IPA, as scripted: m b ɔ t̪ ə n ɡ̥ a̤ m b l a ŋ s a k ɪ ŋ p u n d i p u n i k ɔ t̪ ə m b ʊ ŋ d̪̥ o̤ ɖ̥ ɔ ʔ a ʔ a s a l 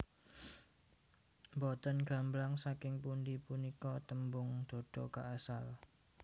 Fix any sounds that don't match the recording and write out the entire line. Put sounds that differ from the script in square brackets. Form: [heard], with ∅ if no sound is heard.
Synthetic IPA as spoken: m b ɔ t̪ ə n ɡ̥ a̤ m b l a ŋ s a k ɪ ŋ p u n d i p u n i k ɔ t̪ ə m b ʊ ŋ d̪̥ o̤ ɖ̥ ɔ [k] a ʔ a s a l